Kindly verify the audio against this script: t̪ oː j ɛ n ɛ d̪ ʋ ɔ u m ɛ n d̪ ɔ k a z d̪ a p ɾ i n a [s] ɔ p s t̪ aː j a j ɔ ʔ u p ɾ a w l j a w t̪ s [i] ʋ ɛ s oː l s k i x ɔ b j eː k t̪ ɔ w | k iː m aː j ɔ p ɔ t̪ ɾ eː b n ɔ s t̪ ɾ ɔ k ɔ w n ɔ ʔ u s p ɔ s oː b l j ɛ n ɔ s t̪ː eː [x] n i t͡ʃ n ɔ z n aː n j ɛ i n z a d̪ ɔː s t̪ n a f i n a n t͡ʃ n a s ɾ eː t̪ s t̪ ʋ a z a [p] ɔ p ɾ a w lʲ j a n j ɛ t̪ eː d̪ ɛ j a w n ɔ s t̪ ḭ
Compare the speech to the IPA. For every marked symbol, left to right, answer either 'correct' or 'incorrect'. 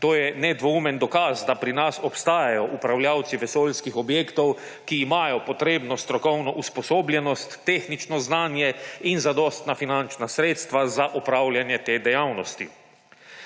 correct, correct, correct, incorrect

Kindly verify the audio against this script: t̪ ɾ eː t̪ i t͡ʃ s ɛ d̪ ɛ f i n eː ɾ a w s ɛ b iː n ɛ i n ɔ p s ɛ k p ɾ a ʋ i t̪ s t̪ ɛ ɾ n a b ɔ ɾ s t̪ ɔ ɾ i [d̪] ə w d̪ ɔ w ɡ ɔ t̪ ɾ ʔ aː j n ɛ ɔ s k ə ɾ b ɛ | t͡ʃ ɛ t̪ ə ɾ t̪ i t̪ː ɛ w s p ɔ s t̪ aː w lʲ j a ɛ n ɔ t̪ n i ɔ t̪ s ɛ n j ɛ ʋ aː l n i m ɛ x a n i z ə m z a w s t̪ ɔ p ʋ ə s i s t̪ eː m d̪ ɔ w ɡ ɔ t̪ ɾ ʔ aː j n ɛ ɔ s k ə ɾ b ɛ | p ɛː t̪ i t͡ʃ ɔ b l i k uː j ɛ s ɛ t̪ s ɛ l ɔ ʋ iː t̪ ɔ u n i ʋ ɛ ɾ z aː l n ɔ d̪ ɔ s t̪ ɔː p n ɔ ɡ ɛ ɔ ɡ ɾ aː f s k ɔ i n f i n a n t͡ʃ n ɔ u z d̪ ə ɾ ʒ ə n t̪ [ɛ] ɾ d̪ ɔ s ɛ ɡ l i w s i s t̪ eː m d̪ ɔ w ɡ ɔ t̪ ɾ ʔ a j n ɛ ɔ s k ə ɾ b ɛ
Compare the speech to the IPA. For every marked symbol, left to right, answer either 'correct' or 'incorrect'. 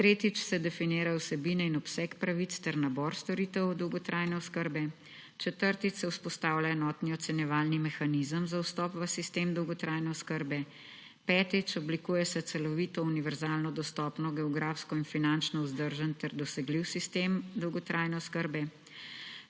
incorrect, correct

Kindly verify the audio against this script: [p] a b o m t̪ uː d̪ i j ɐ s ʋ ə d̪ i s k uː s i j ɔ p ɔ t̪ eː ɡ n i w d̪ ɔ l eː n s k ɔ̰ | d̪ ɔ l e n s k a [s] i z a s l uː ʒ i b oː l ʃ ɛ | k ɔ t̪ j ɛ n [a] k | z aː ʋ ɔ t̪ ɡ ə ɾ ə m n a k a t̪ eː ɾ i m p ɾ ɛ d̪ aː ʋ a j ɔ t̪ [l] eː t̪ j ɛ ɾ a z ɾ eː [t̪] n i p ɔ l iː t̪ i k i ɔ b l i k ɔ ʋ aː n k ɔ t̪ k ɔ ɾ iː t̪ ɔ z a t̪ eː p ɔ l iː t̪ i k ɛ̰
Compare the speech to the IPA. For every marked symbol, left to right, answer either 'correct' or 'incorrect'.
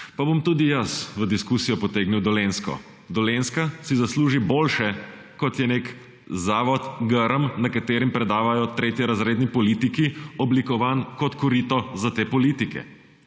correct, correct, incorrect, incorrect, incorrect

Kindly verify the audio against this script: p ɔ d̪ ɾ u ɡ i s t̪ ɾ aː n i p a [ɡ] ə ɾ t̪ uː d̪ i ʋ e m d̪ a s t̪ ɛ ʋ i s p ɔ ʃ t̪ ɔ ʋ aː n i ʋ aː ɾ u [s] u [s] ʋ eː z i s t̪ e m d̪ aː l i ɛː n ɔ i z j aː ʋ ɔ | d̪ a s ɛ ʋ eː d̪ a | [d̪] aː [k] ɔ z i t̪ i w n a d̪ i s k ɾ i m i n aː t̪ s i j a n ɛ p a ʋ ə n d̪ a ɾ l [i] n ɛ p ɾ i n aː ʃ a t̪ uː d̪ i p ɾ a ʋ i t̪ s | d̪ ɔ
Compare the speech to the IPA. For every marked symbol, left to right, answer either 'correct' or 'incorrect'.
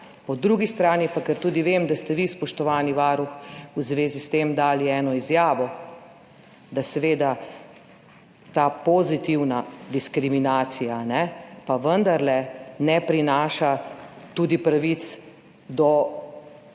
incorrect, incorrect, incorrect, incorrect, incorrect, incorrect

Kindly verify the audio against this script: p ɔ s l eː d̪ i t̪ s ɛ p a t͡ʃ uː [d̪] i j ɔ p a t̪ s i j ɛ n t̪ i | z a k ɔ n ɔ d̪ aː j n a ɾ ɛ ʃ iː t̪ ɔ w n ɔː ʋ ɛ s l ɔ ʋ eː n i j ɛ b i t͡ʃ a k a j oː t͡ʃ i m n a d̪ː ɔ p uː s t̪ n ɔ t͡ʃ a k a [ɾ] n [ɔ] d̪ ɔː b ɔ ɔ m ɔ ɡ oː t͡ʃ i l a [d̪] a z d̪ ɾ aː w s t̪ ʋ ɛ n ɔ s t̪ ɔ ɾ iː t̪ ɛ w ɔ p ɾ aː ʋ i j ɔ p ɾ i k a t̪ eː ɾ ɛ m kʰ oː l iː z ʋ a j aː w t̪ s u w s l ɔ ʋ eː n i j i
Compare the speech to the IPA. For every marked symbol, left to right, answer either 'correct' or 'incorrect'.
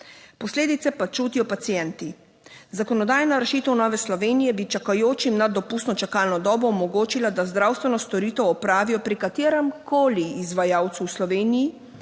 incorrect, incorrect, correct, correct

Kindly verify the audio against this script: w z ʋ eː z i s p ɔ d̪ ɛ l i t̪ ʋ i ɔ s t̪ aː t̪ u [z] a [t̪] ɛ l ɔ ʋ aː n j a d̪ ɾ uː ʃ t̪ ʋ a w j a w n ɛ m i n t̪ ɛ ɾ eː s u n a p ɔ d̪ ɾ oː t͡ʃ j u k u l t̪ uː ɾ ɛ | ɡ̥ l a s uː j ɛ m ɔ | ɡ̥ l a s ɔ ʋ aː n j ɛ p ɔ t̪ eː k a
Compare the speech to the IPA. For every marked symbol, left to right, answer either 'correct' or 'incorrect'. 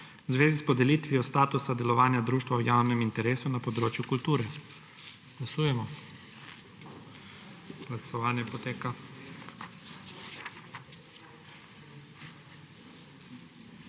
incorrect, incorrect

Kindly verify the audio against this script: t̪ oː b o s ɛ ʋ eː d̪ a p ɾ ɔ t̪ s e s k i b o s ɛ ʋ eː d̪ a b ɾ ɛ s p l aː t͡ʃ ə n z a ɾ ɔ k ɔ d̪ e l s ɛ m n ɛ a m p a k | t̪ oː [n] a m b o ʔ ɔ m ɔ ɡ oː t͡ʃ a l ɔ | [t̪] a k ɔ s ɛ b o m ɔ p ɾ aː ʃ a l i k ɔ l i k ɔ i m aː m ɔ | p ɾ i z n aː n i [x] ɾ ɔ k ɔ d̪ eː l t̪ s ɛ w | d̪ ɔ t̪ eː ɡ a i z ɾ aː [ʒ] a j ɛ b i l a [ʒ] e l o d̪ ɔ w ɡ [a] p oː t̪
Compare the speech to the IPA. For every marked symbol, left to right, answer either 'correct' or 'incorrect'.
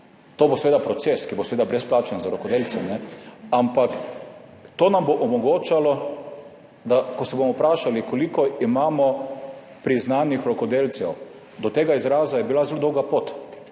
correct, incorrect, correct, incorrect, incorrect, correct

